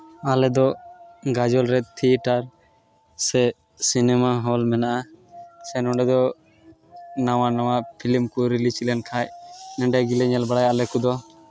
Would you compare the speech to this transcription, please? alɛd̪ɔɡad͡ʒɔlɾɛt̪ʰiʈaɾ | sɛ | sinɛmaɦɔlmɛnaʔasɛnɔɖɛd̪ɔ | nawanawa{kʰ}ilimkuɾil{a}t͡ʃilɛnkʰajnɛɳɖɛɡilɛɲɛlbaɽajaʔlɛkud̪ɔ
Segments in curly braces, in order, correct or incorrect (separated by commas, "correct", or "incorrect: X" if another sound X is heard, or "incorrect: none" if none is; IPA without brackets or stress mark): incorrect: pʰ, incorrect: i